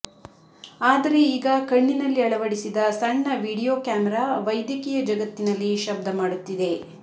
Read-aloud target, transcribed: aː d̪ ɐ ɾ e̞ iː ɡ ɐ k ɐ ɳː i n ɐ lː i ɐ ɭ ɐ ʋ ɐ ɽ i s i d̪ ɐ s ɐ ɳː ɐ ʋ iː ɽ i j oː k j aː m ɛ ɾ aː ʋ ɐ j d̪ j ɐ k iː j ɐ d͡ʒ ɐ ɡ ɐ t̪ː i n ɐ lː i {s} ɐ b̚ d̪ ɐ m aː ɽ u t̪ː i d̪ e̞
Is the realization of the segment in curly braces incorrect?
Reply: yes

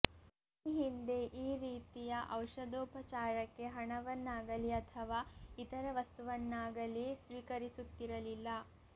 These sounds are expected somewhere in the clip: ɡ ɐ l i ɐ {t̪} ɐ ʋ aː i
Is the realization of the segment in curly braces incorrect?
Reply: yes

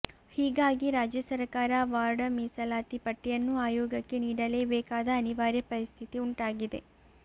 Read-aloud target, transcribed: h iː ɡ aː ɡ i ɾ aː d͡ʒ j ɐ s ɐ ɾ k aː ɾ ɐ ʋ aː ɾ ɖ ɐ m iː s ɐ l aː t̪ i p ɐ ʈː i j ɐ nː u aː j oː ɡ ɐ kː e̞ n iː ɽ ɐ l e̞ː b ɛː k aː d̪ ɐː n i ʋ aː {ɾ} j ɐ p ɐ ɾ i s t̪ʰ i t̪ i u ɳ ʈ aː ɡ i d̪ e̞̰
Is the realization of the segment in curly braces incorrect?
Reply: no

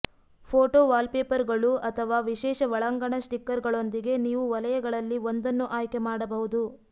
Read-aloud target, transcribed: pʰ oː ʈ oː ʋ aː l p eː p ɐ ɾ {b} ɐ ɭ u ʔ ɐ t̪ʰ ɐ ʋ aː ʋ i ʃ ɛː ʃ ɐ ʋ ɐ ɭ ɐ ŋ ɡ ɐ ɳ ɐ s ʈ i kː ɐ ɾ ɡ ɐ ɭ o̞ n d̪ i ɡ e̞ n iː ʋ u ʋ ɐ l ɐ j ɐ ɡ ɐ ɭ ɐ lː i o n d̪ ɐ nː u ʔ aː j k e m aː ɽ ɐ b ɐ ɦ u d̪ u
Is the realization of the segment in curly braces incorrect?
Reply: yes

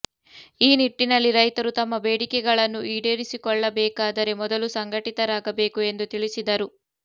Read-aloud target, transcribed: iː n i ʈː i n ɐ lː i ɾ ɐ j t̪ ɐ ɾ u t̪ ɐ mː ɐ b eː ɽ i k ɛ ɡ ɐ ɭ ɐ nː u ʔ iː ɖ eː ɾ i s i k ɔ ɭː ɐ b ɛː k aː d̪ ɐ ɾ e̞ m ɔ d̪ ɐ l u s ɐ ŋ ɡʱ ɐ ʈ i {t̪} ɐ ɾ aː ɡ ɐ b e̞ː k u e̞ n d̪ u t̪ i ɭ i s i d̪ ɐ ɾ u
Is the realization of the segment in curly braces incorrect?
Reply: no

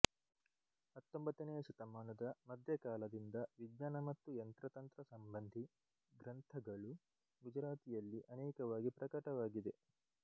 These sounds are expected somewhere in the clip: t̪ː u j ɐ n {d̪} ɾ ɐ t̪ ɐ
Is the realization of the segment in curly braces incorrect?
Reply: yes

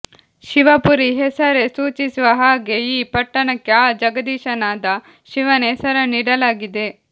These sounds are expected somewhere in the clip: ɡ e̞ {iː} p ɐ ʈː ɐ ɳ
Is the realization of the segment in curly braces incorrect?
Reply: no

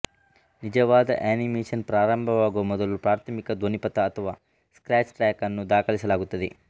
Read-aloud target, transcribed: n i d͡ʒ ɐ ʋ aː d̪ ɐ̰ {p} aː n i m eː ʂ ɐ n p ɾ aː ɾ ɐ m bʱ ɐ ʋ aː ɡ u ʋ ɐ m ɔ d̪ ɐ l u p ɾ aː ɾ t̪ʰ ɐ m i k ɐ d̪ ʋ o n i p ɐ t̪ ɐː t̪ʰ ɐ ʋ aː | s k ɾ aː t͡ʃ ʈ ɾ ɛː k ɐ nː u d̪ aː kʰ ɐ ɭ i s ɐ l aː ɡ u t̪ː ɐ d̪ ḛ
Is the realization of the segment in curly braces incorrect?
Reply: yes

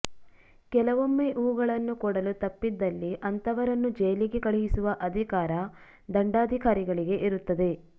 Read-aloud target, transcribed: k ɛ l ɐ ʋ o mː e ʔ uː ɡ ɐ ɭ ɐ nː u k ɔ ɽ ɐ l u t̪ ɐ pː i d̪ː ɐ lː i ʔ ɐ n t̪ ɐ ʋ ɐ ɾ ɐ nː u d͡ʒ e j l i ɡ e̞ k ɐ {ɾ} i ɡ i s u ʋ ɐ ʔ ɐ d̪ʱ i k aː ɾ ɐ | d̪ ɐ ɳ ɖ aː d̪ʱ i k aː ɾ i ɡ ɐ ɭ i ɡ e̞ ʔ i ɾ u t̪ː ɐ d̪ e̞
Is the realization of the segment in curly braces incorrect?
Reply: yes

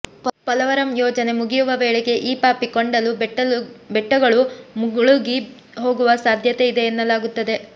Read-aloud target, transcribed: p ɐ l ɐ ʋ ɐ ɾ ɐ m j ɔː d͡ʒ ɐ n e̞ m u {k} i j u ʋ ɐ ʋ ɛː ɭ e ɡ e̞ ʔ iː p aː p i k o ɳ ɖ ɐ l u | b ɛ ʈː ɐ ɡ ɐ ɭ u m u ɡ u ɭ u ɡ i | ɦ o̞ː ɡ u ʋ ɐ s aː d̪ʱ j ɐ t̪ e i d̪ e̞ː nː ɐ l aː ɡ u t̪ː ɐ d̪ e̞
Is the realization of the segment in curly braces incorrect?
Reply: yes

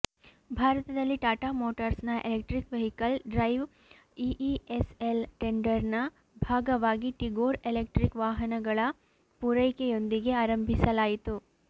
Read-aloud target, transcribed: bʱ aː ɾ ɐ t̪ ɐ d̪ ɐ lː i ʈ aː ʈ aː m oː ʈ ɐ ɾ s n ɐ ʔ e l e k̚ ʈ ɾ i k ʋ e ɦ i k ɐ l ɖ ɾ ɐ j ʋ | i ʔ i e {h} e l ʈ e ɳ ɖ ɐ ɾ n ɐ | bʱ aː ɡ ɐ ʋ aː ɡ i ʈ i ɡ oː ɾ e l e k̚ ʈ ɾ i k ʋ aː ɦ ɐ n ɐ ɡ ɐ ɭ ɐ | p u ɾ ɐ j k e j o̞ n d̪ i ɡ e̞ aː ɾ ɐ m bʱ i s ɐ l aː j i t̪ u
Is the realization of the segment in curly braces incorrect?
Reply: yes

